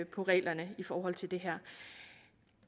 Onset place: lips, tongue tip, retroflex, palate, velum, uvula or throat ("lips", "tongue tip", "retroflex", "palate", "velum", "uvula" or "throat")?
lips